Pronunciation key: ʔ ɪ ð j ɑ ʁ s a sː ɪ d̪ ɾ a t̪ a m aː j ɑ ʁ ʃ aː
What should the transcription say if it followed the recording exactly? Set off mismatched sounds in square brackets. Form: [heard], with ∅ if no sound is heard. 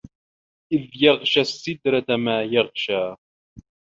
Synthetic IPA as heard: ʔ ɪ ð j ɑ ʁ [ʃ] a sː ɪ d̪ ɾ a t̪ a m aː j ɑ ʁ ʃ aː